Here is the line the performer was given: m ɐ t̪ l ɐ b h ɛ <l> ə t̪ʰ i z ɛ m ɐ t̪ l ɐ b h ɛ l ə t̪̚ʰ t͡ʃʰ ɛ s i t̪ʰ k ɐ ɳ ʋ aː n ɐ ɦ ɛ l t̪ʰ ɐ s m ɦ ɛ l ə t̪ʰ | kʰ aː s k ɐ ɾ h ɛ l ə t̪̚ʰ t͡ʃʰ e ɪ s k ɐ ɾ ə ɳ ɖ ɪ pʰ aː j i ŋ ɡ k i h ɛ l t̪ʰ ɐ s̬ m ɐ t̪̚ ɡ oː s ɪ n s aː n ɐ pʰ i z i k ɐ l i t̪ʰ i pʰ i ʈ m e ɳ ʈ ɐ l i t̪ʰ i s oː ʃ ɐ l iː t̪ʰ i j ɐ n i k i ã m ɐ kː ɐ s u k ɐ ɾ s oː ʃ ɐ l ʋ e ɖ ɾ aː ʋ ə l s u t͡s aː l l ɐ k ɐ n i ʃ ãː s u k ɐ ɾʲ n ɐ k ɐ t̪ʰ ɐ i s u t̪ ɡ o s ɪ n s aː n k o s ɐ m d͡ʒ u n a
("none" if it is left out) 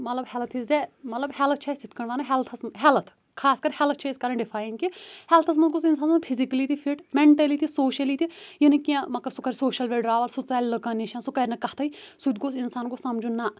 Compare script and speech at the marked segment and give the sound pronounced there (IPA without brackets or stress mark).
l